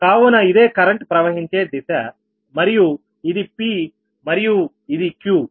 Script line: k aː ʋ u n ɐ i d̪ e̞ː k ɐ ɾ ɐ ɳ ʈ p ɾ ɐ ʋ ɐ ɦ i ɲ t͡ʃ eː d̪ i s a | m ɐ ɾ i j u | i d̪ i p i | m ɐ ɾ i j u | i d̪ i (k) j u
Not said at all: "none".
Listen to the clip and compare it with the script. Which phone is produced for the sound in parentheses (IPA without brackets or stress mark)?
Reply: k